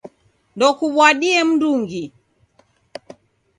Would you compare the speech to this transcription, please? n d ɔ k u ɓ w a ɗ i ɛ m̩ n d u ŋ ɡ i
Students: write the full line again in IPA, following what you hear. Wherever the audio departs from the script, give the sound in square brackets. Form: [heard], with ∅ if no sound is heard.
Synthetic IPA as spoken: n d ɔ k u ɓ w a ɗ i ɛ m̩ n d u ŋ ɡ i